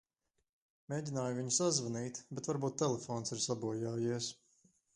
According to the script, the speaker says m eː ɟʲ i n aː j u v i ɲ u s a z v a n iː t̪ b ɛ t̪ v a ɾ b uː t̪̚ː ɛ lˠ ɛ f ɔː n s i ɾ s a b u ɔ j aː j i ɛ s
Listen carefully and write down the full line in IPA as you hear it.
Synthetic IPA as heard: m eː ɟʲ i n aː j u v i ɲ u s a z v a n iː t̪ b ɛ t̪ v a ɾ b uː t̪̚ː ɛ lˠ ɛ f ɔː n s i ɾ s a b u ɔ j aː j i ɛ s